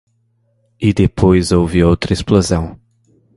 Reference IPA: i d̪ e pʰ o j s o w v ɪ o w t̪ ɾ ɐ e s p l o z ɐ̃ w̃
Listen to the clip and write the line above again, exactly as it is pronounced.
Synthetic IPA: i d̪ e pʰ o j z o w v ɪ o w t̪ ɾ ɐ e s p l o z ɐ̃ w̃